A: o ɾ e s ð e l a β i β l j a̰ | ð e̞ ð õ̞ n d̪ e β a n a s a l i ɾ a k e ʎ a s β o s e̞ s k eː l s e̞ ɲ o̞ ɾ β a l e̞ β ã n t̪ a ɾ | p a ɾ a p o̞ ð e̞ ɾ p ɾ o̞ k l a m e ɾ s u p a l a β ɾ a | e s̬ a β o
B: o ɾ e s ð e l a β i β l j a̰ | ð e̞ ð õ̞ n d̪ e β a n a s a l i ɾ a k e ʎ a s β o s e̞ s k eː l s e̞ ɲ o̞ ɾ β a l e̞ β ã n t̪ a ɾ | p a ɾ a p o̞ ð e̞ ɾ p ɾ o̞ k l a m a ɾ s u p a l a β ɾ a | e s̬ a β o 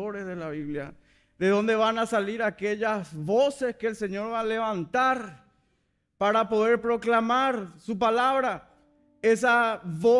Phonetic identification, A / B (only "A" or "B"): B